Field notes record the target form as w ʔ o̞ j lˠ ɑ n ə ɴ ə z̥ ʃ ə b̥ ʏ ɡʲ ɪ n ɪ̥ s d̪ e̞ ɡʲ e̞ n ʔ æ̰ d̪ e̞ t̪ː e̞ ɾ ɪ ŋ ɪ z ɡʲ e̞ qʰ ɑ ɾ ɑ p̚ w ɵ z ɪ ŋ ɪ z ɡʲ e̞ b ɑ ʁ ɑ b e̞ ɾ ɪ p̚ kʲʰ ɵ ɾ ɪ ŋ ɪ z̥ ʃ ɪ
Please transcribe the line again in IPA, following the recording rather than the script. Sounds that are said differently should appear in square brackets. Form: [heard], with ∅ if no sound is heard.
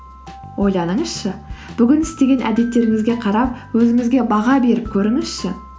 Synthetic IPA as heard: w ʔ o̞ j lˠ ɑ n ə ɴ ə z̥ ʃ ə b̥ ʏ ɡʲ ɪ n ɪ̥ s [t̪] e̞ ɡʲ e̞ n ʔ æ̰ d̪ e̞ t̪ː e̞ ɾ ɪ ŋ ɪ z ɡʲ e̞ qʰ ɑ ɾ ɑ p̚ w ɵ z ɪ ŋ ɪ z ɡʲ e̞ b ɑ ʁ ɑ b e̞ ɾ ɪ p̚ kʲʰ ɵ ɾ ɪ ŋ ɪ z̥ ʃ ɪ